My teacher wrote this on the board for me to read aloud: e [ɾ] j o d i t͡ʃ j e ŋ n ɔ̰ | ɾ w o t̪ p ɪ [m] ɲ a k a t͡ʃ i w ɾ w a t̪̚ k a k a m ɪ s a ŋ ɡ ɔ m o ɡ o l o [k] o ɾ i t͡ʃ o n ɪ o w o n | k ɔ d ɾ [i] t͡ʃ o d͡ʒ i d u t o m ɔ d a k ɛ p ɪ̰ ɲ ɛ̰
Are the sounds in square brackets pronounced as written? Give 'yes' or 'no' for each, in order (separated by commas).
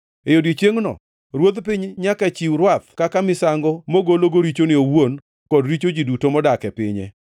no, no, no, yes